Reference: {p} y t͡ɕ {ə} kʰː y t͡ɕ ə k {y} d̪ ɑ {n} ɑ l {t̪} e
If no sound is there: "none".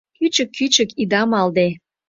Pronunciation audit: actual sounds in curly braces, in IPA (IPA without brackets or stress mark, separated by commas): k, ə, i, m, d̪